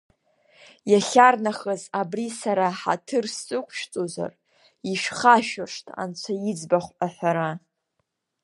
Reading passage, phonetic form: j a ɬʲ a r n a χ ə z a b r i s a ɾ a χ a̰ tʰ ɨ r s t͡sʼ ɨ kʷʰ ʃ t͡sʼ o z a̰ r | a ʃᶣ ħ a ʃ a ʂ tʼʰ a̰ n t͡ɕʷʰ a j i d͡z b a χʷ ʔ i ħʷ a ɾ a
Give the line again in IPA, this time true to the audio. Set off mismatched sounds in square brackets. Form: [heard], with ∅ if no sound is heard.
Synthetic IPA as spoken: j a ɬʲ a r n a χ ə z a b r i s a ɾ a [ħ] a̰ tʰ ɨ r s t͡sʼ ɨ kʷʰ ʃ t͡sʼ o z a̰ r | [i] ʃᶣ [χ] a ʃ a ʂ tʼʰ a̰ n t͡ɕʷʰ a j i d͡z b a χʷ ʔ [a] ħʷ a ɾ a